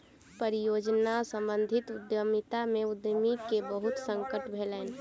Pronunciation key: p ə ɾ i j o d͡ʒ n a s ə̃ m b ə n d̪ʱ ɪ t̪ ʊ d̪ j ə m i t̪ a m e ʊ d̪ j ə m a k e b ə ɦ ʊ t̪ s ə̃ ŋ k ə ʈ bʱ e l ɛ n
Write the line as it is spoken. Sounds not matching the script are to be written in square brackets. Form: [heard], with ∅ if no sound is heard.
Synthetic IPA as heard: p ə ɾ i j o d͡ʒ n a s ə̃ m b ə n d̪ʱ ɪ t̪ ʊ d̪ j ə m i t̪ a m e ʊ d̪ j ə m [i] k e b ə ɦ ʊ t̪ s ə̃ ŋ k ə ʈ bʱ e l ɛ n